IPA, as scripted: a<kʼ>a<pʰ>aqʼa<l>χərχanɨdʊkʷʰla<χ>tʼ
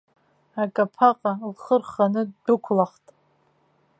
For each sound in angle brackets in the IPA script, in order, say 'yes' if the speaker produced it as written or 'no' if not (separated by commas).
yes, yes, yes, yes